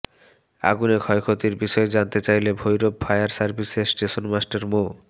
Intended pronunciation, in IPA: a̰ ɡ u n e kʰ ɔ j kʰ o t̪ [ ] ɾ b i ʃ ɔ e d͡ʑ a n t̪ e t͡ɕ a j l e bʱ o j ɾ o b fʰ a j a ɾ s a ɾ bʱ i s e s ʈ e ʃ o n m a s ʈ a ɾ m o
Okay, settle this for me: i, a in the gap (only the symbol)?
i